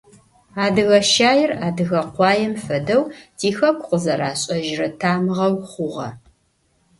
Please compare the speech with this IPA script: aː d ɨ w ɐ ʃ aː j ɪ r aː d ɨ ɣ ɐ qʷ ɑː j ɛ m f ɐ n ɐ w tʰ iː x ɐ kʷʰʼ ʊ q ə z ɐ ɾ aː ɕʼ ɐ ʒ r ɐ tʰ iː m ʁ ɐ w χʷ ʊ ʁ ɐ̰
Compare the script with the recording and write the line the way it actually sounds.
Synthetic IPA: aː d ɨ ɣ ɐ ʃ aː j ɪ r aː d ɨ ɣ ɐ qʷ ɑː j ɛ m f ɐ d ɐ w tʰ iː x ɐ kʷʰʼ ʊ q ə z ɐ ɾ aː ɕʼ ɐ ʒ r ɐ tʰ aː m ʁ ɐ w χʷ ʊ ʁ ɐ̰